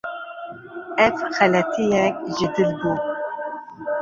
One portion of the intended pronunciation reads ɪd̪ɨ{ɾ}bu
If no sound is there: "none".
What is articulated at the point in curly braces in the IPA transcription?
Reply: l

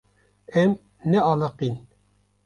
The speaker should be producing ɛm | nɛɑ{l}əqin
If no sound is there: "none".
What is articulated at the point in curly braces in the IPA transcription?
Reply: l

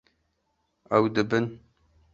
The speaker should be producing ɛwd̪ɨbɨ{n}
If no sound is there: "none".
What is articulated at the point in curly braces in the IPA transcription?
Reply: n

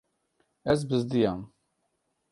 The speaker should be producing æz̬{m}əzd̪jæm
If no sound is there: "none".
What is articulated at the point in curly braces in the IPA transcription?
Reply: b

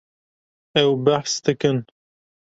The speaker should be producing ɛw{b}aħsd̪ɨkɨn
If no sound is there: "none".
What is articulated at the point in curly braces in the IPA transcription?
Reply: b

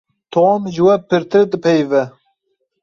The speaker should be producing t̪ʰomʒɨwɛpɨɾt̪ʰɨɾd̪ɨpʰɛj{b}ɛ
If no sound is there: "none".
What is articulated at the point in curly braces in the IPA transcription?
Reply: v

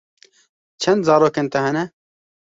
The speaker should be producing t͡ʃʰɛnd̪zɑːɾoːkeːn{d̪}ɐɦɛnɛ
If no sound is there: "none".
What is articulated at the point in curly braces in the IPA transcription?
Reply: t̪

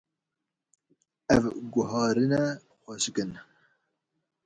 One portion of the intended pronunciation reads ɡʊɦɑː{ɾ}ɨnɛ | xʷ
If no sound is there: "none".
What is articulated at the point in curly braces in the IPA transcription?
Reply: ɾ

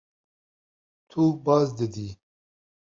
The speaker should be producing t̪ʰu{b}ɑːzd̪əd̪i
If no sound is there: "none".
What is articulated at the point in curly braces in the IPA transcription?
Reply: b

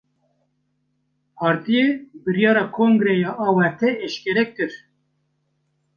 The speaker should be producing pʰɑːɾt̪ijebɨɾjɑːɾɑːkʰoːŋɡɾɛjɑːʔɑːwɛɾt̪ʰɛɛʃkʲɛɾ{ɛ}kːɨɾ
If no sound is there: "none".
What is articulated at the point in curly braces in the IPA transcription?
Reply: ɛ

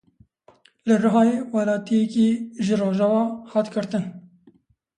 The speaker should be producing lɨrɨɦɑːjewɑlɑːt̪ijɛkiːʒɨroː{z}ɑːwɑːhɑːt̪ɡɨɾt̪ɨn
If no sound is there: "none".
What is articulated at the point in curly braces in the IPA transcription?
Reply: ʒ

